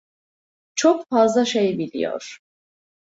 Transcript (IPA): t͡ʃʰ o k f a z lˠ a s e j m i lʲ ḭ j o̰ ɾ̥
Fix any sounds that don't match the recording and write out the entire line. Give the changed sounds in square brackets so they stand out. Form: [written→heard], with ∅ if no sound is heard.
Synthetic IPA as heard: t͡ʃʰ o k f a z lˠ a [s→ʃ] e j [m→b] i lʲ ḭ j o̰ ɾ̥

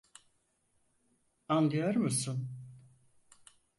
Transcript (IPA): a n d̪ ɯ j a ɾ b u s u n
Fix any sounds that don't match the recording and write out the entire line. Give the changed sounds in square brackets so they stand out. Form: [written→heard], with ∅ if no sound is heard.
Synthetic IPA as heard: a n d̪ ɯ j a ɾ [b→m] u s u n

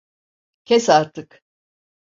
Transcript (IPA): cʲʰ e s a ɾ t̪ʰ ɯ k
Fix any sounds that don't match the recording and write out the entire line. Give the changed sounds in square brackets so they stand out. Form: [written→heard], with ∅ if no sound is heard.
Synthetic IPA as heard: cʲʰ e s a ɾ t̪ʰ ɯ k

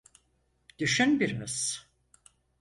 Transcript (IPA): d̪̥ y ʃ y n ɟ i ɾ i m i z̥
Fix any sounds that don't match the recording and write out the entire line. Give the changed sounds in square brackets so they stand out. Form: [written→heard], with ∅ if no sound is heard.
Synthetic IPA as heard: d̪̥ y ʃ y n [ɟ→b] i ɾ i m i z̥

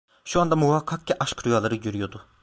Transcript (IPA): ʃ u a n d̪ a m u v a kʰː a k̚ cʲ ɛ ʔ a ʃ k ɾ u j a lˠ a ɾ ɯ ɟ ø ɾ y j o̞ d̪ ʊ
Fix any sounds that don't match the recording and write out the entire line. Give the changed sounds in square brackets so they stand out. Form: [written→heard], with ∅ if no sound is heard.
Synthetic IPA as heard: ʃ u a n d̪ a m u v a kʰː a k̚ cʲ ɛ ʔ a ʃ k ɾ u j a lˠ a ɾ ɯ ɟ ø ɾ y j o̞ d̪ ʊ

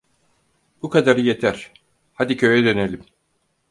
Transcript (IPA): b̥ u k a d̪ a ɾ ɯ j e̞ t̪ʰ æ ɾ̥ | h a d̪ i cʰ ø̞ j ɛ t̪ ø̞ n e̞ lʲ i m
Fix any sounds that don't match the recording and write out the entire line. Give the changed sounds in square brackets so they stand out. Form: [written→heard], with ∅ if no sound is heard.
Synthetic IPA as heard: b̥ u k a d̪ a ɾ ɯ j e̞ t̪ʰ æ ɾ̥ | h a d̪ i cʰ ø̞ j ɛ [t̪→d̪] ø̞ n e̞ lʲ i m

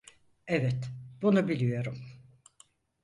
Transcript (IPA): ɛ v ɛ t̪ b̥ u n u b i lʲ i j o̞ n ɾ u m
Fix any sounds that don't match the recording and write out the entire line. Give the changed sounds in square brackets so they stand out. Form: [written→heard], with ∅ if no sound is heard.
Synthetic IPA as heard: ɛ v ɛ t̪ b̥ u n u b i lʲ i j o̞ [n→∅] ɾ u m

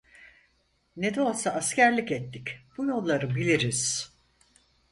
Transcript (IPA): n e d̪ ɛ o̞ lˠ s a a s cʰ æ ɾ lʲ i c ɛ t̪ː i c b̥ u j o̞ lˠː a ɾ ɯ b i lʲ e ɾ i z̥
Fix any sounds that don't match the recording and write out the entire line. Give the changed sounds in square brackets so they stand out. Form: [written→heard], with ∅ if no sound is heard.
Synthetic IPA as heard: n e d̪ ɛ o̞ lˠ s a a s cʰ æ ɾ lʲ i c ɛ t̪ː i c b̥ u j o̞ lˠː a ɾ ɯ b i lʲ [e→i] ɾ i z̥

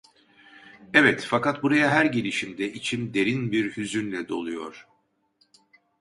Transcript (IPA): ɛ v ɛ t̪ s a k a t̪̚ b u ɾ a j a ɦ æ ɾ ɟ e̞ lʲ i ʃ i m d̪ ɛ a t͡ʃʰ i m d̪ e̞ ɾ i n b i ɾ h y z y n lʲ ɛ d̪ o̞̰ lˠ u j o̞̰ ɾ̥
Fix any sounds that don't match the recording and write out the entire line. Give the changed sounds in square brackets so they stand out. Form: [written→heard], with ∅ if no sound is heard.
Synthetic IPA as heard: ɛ v ɛ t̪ [s→f] a k a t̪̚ b u ɾ a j a ɦ æ ɾ ɟ e̞ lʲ i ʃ i m d̪ ɛ [a→i] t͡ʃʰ i m d̪ e̞ ɾ i n b i ɾ h y z y n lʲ ɛ d̪ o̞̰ lˠ u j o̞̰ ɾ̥

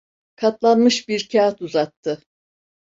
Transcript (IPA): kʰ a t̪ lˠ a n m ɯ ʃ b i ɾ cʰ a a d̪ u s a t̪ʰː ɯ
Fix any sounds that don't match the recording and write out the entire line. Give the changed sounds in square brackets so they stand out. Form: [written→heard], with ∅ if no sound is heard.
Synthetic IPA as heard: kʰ a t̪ lˠ a n m ɯ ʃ b i ɾ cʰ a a [d̪→t̪] u [s→z] a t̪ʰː ɯ

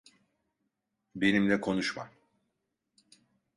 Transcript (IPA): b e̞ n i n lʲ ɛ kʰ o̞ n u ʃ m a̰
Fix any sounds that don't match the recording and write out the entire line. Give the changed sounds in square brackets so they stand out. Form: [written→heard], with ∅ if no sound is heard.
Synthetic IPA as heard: b e̞ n i [n→m] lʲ ɛ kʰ o̞ n u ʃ m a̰

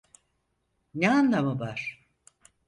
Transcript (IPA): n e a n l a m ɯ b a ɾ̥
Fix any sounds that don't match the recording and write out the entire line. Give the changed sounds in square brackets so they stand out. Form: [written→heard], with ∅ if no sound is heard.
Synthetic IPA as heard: n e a n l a m ɯ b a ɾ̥

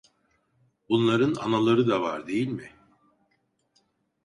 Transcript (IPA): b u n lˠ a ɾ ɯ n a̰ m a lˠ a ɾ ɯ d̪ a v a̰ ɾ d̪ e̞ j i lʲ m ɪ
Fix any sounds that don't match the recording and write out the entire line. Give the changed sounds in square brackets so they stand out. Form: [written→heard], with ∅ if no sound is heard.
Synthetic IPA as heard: b u n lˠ a ɾ ɯ n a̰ [m→n] a lˠ a ɾ ɯ d̪ a v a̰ ɾ d̪ e̞ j i lʲ m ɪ

